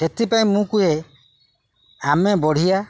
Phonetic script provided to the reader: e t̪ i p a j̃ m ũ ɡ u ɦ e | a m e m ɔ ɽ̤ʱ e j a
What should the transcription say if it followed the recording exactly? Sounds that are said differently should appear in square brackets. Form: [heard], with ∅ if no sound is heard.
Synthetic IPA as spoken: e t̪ i p a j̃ m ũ [k] u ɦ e | a m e [b] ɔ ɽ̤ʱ [i] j a

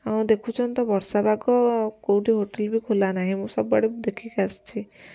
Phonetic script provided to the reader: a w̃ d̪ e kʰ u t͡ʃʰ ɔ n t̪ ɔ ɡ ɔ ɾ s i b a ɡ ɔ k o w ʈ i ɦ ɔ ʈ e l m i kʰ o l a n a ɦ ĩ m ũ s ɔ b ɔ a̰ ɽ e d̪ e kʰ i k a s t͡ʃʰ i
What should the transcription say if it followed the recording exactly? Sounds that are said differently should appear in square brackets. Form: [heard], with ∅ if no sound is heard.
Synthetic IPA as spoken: a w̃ d̪ e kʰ u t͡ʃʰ ɔ n t̪ ɔ [b] ɔ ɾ s [a] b a ɡ ɔ k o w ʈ i ɦ [o] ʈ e l [b] i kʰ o l a n a ɦ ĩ m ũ s ɔ b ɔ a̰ ɽ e d̪ e kʰ i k a s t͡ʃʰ i

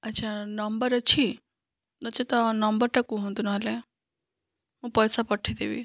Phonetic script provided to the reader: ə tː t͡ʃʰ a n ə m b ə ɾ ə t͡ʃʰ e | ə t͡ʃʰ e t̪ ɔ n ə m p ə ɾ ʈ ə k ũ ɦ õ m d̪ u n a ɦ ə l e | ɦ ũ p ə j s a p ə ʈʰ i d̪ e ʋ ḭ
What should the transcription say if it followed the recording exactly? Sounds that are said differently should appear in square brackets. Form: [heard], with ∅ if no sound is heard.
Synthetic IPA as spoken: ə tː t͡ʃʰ a n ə m b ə ɾ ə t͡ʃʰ [i] | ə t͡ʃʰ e t̪ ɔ n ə m [b] ə ɾ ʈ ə k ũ ɦ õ [n] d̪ u n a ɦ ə l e | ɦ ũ p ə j s a p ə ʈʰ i d̪ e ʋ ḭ

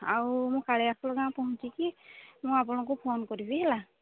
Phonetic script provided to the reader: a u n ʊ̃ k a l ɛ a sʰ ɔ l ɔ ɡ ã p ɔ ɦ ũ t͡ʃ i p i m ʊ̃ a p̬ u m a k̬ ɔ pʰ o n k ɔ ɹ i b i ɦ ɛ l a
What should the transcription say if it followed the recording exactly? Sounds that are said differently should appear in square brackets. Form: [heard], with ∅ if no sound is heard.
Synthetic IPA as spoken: a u [m] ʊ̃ k a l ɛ a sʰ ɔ l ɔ ɡ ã p ɔ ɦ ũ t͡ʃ i [k] i m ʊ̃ a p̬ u [n] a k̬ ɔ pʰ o n k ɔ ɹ i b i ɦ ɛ l a

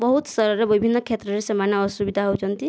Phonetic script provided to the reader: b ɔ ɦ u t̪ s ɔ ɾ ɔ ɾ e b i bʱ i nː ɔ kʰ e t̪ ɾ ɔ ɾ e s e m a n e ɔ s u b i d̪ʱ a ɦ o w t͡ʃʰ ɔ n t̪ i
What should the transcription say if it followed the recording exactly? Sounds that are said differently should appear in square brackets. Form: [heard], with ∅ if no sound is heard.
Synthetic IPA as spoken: b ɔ ɦ u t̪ s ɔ ɾ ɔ ɾ e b i bʱ i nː ɔ kʰ e t̪ ɾ ɔ ɾ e s e m a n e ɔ s u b i d̪ʱ a ɦ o w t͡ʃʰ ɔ n t̪ i

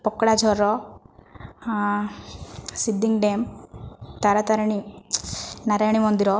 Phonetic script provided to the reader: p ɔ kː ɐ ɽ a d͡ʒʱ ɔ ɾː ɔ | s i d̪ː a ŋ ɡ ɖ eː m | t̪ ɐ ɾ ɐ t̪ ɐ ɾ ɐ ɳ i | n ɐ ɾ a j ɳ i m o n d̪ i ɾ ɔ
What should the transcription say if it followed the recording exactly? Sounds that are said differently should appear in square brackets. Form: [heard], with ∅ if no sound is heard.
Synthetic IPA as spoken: p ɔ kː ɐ ɽ a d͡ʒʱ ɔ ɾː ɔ | s i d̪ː [i] ŋ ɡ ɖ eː m | t̪ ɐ ɾ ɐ t̪ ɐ ɾ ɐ ɳ i | n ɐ ɾ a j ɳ i m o n d̪ i ɾ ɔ

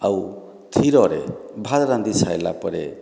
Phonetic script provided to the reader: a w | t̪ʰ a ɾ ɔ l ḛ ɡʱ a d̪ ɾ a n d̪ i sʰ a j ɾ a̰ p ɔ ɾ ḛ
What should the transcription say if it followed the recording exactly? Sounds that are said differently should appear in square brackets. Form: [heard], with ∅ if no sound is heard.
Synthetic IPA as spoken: a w | t̪ʰ [i] ɾ ɔ [ɾ] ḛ [bʱ] a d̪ ɾ a n d̪ i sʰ a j [l] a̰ p ɔ ɾ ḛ

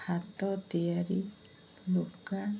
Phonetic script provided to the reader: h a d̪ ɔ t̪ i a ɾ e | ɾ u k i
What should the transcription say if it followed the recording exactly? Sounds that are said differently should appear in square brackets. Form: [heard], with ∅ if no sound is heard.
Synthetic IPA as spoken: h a [t̪] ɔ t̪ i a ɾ [i] | [l] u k [a]

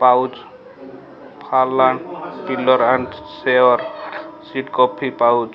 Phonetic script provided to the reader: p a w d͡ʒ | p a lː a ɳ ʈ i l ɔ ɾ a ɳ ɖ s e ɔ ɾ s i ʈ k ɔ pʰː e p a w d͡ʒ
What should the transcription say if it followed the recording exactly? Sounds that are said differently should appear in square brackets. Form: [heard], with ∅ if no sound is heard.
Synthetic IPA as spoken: p a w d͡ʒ | [pʰ] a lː a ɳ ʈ i l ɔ ɾ a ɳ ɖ s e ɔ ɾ s i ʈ k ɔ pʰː [i] p a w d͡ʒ

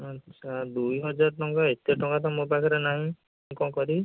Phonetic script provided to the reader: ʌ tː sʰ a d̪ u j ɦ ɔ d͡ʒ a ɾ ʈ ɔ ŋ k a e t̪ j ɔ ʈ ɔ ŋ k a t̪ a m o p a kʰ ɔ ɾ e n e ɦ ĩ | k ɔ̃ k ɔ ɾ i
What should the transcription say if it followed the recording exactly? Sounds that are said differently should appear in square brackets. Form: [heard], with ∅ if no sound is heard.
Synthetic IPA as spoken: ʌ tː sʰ a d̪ u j ɦ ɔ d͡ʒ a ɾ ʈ ɔ ŋ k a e t̪ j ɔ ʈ ɔ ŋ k a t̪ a m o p a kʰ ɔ ɾ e n [a] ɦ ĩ | k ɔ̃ k ɔ ɾ i

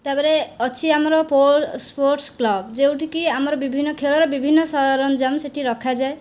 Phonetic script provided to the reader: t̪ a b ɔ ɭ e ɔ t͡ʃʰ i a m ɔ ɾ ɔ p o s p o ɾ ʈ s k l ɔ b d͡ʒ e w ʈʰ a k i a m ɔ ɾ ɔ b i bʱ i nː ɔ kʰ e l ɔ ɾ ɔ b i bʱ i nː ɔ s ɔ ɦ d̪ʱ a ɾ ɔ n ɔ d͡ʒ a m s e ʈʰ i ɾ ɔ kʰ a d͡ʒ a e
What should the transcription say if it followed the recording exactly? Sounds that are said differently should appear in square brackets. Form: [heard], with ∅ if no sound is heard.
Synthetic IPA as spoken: t̪ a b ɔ [ɾ] e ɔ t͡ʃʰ i a m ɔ ɾ ɔ p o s p o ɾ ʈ s k l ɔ b d͡ʒ e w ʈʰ [i] k i a m ɔ ɾ ɔ b i bʱ i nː ɔ kʰ e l ɔ ɾ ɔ b i bʱ i nː ɔ s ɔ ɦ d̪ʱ a ɾ ɔ n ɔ d͡ʒ a m s e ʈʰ i ɾ ɔ kʰ a d͡ʒ a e

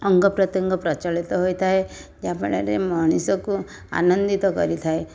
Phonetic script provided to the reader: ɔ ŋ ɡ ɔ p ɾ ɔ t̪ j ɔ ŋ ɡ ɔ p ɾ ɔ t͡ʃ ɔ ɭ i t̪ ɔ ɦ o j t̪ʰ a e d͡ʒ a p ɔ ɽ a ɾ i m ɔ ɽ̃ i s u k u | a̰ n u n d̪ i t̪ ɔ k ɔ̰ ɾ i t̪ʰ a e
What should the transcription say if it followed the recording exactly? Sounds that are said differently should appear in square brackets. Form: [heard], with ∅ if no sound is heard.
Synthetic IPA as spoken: ɔ ŋ ɡ ɔ p ɾ ɔ t̪ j ɔ ŋ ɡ ɔ p ɾ ɔ t͡ʃ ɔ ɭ i t̪ ɔ ɦ o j t̪ʰ a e d͡ʒ a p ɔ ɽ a ɾ [e] m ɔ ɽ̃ i s [ɔ] k u | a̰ n [ɔ] n d̪ i t̪ ɔ k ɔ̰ ɾ i t̪ʰ a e

